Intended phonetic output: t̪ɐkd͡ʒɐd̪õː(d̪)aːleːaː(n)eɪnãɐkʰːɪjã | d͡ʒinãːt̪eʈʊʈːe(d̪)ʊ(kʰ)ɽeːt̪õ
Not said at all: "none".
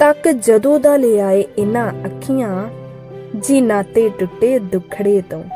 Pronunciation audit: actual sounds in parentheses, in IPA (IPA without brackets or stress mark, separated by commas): d̪, none, d̪, kʰ